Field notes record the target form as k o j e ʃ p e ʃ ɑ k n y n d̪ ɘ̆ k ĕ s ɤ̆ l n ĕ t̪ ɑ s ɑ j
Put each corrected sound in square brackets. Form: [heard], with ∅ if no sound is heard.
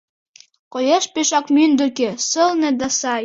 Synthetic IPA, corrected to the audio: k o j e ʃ p e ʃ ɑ k [m] y n d̪ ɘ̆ k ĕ s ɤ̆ l n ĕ [d̪] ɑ s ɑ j